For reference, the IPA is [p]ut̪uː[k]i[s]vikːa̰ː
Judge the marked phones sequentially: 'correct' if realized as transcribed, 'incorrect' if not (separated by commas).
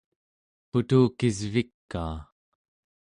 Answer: correct, correct, incorrect